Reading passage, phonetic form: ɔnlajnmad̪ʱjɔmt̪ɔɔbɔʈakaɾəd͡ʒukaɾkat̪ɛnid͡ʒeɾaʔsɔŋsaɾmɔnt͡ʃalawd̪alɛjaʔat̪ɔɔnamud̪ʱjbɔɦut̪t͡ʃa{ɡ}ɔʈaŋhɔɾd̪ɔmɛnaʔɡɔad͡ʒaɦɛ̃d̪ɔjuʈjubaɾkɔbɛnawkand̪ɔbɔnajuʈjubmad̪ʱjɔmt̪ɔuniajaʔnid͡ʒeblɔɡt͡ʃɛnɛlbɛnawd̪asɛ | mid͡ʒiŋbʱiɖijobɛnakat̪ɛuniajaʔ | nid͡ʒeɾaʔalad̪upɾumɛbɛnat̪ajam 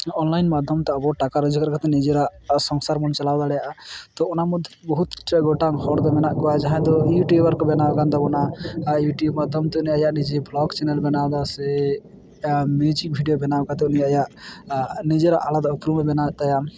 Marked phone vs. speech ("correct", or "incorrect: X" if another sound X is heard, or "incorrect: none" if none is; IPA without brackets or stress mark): correct